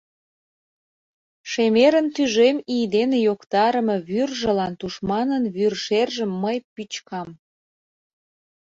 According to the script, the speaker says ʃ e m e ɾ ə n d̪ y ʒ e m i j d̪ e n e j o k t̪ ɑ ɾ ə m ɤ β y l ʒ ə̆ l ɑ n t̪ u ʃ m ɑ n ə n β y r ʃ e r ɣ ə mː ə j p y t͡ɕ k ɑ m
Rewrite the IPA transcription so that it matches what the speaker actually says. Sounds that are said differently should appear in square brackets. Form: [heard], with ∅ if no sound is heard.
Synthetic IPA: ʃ e m e ɾ ə n [t̪] y ʒ e m i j d̪ e n e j o k t̪ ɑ ɾ ə m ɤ β y [r] ʒ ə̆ l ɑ n t̪ u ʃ m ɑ n ə n β y r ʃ e r [ʒ] ə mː ə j p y t͡ɕ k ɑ m